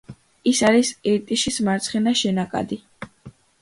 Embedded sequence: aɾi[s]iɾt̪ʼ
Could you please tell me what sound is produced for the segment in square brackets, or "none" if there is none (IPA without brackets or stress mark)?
s